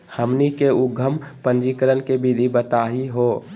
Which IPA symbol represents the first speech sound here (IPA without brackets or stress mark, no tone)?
h